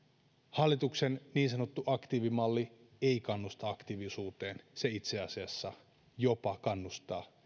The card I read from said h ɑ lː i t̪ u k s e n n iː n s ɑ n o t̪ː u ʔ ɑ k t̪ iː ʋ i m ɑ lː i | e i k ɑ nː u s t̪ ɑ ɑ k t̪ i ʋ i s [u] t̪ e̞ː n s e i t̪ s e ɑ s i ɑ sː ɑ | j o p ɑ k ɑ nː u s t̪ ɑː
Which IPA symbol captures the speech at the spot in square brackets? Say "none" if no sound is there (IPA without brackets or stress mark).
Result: uː